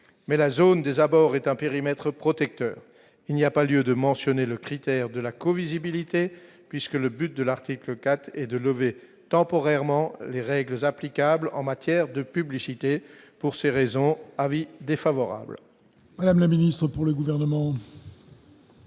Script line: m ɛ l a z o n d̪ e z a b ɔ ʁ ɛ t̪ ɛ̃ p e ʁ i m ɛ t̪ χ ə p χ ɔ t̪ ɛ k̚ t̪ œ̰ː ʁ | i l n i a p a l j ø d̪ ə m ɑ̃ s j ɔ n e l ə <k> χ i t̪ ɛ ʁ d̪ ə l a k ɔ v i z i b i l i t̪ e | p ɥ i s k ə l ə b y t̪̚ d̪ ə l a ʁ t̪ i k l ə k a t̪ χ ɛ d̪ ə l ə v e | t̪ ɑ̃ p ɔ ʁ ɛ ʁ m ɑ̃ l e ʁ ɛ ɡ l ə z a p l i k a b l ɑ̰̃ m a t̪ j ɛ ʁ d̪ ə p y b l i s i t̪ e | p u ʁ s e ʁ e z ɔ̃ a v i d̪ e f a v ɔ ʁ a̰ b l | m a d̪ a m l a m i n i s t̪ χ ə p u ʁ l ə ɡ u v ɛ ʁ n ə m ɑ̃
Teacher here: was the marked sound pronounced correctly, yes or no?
yes